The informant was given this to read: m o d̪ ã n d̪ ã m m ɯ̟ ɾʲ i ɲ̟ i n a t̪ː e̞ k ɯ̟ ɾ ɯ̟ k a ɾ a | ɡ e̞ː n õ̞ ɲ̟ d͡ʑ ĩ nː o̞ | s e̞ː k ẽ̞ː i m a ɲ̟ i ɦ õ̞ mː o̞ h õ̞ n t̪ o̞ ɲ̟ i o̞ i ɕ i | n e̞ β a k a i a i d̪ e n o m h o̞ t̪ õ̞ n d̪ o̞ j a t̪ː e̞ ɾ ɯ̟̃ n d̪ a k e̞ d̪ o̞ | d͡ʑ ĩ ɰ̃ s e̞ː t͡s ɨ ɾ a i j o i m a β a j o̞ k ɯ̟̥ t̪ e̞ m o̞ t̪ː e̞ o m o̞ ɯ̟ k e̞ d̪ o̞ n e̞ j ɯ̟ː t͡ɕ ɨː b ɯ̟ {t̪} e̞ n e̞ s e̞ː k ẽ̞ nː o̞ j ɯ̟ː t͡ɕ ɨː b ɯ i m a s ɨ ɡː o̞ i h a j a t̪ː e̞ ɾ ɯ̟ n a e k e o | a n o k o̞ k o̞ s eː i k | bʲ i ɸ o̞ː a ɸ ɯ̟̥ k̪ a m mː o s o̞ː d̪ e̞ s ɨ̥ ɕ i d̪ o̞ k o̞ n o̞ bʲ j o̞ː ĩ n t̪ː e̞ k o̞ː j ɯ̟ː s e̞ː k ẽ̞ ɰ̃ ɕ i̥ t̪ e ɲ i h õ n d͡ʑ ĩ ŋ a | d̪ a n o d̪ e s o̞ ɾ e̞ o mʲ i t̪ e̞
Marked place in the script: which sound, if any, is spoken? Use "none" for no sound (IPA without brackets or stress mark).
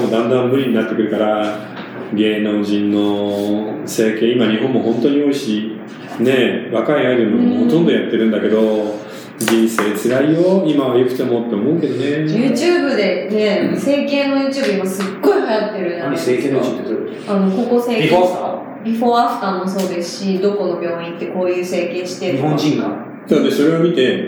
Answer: d̪